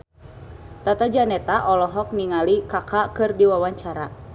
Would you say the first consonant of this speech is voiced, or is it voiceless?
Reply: voiceless